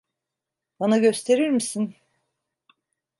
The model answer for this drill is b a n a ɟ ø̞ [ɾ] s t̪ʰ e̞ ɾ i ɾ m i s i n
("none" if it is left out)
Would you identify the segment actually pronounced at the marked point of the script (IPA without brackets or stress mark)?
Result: none